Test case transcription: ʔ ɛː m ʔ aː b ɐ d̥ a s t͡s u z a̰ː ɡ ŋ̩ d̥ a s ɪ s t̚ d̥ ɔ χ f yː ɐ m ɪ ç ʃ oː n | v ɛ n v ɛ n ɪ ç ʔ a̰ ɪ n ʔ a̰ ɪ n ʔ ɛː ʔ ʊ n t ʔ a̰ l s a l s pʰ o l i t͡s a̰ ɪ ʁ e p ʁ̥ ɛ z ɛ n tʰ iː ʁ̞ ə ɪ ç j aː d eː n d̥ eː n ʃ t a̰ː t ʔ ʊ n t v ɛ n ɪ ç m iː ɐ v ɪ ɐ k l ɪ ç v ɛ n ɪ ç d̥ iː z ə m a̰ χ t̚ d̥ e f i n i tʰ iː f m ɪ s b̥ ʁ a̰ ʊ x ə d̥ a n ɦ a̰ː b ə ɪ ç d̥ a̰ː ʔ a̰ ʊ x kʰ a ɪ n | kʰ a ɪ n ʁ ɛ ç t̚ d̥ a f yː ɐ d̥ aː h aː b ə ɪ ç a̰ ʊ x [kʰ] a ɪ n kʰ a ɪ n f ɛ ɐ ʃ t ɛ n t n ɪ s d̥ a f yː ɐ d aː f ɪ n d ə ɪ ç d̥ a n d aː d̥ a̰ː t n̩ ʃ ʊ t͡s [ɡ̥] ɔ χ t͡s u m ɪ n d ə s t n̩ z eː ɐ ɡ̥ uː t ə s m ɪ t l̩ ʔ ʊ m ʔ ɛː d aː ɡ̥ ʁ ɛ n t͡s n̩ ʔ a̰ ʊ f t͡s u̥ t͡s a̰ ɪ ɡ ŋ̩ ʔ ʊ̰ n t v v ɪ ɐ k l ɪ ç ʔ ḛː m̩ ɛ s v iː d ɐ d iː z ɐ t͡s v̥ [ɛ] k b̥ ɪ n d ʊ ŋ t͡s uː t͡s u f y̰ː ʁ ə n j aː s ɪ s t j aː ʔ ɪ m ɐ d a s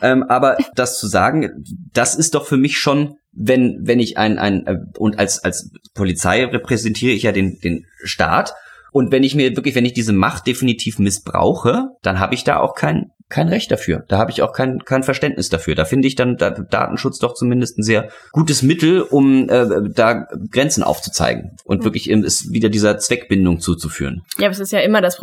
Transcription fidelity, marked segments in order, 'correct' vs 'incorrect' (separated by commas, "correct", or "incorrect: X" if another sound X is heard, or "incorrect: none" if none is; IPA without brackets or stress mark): correct, incorrect: d̥, correct